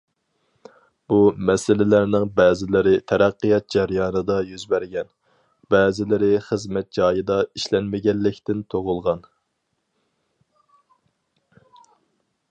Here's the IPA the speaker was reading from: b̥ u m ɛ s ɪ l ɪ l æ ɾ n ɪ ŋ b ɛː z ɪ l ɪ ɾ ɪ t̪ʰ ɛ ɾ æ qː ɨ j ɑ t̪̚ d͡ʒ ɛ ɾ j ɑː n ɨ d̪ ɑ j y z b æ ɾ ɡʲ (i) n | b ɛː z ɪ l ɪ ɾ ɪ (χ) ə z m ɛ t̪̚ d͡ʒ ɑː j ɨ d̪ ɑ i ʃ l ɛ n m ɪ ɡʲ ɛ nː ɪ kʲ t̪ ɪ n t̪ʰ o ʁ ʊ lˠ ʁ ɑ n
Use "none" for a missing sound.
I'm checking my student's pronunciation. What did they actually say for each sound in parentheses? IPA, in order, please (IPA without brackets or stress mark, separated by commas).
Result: ɛ, χ